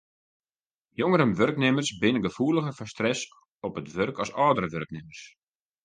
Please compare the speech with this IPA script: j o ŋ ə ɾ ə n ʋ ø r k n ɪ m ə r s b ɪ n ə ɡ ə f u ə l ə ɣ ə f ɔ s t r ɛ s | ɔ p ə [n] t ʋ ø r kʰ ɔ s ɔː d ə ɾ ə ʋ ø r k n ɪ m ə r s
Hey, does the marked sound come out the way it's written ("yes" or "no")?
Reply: no